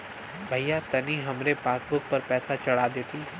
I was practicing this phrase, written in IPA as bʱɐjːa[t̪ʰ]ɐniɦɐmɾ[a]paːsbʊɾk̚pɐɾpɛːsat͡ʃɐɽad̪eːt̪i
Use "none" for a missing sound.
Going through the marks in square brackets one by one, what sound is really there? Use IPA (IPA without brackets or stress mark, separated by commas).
t̪, e